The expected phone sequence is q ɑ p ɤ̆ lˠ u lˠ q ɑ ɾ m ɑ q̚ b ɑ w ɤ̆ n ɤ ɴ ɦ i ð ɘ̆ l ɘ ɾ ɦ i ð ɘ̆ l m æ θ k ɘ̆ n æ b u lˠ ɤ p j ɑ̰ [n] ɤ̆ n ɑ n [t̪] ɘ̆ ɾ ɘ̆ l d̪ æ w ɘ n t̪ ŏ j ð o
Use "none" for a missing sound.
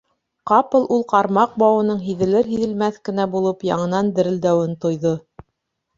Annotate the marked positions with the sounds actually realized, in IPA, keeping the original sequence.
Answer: ɴ, d̪

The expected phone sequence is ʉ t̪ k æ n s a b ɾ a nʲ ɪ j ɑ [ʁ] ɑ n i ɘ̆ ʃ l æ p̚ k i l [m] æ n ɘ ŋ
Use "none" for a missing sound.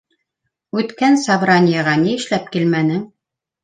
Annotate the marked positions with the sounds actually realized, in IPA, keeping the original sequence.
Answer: ʁ, m

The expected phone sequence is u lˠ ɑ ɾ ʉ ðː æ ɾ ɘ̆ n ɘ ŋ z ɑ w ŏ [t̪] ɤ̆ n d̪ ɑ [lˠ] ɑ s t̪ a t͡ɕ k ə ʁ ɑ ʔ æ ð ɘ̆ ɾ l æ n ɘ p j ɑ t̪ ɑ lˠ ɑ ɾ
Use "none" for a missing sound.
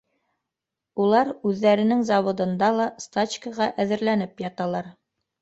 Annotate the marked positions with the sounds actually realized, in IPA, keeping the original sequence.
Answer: d̪, lˠ

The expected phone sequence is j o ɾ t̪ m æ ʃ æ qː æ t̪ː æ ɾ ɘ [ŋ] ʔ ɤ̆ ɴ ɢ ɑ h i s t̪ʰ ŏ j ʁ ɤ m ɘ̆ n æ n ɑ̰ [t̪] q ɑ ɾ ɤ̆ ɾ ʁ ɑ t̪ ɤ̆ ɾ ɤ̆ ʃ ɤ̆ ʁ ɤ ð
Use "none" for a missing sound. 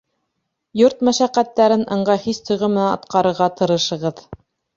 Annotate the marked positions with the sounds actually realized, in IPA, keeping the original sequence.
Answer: n, t̪

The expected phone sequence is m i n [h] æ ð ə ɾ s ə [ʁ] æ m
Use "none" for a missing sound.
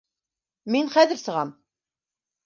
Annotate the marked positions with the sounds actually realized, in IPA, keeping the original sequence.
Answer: χ, ʁ

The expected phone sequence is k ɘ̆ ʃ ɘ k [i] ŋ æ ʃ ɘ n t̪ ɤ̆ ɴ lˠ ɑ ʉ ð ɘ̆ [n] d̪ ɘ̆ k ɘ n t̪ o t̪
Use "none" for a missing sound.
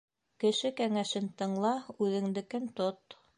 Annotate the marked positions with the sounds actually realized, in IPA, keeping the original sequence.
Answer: æ, ŋ

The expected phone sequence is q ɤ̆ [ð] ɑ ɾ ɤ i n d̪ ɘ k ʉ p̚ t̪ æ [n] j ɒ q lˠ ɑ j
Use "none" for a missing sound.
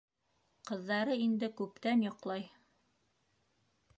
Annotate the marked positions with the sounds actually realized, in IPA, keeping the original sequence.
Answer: ðː, n

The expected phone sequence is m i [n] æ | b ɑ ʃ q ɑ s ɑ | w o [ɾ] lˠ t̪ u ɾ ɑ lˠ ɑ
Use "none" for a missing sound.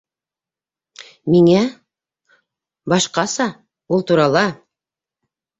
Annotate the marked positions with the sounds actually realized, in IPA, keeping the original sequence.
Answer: ŋ, none

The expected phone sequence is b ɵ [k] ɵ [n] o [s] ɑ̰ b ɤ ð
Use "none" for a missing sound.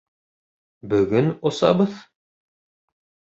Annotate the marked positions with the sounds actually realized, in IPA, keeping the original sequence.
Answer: ɡ, n, s

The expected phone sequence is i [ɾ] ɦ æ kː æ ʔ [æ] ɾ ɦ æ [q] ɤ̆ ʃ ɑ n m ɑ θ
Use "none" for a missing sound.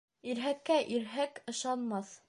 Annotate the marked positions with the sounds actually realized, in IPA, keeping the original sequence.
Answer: ɾ, i, k

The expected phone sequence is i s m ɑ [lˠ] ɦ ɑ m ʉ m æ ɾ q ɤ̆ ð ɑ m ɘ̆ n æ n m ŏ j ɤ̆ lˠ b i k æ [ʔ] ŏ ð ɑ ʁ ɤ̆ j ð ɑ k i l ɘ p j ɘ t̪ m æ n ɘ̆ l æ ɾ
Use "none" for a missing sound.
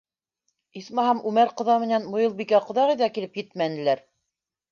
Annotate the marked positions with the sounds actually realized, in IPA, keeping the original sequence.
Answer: none, q

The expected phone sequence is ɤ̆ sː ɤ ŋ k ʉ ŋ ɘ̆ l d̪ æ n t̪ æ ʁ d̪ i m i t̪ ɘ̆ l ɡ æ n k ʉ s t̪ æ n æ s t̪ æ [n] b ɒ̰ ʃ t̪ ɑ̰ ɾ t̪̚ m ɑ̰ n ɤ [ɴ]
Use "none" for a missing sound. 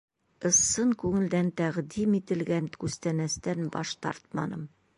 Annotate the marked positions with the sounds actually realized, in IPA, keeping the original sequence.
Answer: n, m

